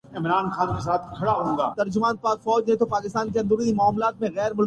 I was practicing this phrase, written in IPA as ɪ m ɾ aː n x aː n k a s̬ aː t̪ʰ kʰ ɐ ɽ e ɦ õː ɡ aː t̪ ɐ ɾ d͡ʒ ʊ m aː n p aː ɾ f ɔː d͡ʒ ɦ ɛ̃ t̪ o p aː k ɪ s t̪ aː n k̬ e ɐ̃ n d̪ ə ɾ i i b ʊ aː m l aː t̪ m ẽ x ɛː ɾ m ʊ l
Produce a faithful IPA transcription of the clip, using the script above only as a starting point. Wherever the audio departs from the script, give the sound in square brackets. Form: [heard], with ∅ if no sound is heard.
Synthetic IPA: ɪ m ɾ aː n x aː n k [e] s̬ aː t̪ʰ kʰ ɐ ɽ [a] ɦ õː ɡ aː t̪ ɐ ɾ d͡ʒ ʊ m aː n p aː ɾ f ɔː d͡ʒ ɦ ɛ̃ t̪ o p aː k ɪ s t̪ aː n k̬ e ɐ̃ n d̪ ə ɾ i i [m] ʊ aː m l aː t̪ m ẽ [ɣ] ɛː ɾ m ʊ l